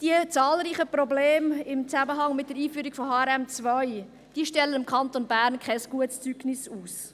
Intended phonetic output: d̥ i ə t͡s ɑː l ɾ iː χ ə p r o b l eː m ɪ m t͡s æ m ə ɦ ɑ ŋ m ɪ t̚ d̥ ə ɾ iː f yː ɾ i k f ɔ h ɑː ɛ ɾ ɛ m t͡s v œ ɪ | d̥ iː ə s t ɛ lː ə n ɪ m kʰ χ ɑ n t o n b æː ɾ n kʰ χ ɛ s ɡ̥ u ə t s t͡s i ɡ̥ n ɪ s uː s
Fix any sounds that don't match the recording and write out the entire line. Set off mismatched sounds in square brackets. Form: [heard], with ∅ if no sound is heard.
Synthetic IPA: d̥ i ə t͡s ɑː l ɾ iː χ ə p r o b l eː m ɪ m t͡s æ m ə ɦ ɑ ŋ m ɪ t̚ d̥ ə ɾ iː f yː ɾ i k f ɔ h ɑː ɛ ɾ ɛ m t͡s v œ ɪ | d̥ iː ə [ʃ] t ɛ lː ə n ɪ m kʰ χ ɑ n t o n b æː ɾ n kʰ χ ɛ s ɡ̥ u ə t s t͡s [y] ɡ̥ n ɪ s uː s